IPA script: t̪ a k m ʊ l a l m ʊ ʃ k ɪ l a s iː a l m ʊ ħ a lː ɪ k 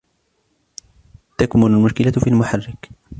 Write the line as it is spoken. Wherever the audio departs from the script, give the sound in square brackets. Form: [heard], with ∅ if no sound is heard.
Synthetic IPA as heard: t̪ a k m ʊ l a l m ʊ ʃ k ɪ l a [f] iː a l m ʊ ħ a [rː] ɪ k